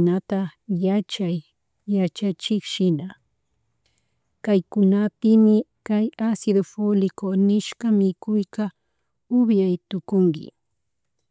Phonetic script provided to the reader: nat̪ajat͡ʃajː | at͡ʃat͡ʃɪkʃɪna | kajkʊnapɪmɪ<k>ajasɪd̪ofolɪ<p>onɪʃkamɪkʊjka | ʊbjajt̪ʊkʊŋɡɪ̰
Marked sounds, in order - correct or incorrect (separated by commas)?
correct, incorrect